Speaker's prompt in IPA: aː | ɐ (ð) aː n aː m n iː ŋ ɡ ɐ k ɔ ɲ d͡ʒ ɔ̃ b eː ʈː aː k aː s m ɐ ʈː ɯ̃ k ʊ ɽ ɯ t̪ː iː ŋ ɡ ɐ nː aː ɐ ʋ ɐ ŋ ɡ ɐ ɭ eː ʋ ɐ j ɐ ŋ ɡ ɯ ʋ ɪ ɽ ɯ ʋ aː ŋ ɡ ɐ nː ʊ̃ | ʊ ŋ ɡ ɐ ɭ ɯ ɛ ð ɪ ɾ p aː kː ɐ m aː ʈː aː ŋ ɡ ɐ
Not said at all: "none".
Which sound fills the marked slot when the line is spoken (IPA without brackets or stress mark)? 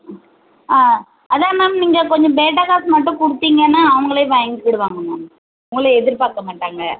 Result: ð